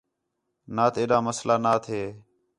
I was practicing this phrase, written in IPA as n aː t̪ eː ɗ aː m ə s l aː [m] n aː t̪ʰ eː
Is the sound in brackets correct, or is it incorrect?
incorrect: none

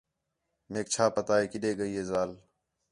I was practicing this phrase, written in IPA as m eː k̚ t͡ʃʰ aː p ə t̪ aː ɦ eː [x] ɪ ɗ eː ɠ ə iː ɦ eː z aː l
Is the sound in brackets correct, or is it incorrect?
incorrect: k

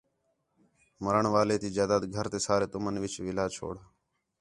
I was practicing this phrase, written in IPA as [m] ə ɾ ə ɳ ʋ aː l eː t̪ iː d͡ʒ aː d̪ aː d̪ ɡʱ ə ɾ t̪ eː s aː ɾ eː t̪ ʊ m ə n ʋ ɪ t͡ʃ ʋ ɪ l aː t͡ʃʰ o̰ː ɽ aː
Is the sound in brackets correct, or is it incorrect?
correct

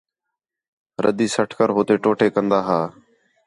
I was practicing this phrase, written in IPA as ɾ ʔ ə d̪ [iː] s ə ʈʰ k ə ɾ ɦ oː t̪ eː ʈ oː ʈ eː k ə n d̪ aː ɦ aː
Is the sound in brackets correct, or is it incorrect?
correct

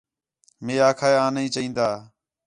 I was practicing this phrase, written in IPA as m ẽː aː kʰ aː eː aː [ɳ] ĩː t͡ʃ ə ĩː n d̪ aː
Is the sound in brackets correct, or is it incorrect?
incorrect: n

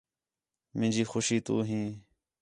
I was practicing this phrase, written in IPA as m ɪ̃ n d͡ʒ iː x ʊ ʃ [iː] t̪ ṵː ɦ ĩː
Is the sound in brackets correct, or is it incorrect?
correct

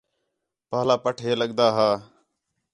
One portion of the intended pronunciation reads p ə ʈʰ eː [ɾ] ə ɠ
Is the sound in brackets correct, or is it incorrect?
incorrect: l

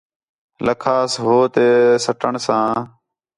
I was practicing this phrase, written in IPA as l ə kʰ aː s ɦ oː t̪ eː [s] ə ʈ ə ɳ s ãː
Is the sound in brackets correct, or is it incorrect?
correct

